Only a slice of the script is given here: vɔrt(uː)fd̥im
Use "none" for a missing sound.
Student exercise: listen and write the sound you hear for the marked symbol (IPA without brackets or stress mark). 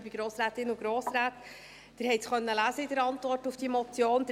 u